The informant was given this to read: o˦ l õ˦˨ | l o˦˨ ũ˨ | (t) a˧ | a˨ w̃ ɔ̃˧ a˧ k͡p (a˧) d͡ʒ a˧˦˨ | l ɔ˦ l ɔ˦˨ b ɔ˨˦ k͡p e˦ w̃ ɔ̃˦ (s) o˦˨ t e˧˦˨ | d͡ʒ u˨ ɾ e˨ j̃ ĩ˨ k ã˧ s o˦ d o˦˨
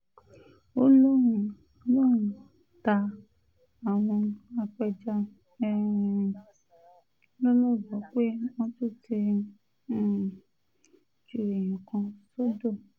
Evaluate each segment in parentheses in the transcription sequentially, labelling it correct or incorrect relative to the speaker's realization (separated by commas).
correct, incorrect, incorrect